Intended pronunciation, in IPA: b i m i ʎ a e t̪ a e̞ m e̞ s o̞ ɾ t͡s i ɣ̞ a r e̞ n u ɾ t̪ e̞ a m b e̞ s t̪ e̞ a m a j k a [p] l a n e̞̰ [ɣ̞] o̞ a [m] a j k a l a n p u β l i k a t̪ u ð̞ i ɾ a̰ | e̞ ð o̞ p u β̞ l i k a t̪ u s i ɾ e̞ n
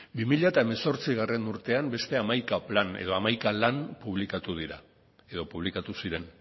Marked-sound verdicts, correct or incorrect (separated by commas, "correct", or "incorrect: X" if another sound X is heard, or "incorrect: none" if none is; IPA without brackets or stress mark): correct, incorrect: ð̞, correct